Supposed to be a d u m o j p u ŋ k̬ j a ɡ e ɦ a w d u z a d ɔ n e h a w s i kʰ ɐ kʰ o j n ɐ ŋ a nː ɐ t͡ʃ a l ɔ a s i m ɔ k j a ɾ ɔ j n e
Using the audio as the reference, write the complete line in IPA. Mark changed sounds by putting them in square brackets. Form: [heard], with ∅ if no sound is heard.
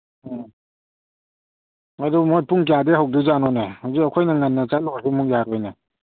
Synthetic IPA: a d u m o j p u ŋ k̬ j a [d] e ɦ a w d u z a [n] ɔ n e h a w [z] i [k] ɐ kʰ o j n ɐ ŋ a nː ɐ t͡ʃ a l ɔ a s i m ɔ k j a ɾ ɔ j n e